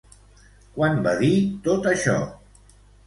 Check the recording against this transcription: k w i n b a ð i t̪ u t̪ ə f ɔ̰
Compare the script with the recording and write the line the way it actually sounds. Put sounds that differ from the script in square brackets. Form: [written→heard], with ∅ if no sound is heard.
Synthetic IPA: k w [i→a] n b a ð i t̪ [u→o] t̪ ə [f→ʃ] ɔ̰